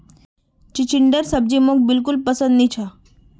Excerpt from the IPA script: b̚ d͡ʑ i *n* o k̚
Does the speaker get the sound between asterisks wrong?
yes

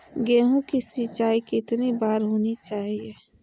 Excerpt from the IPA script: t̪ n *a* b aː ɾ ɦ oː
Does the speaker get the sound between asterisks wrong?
yes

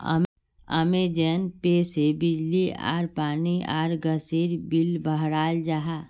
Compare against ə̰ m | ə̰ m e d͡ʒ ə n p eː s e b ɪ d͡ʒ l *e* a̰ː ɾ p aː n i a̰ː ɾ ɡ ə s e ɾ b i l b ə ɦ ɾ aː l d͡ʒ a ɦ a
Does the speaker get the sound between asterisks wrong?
yes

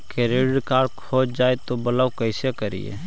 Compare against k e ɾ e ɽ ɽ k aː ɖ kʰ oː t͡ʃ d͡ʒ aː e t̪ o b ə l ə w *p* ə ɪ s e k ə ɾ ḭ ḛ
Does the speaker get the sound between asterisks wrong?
yes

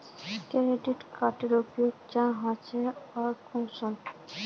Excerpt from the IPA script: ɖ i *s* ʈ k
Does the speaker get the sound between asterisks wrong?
yes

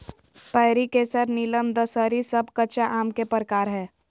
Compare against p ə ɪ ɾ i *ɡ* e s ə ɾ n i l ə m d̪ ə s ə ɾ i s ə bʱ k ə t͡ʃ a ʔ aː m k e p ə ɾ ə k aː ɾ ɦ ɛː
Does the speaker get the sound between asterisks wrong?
yes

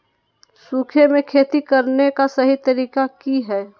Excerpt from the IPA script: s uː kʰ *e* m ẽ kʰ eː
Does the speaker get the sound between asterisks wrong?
no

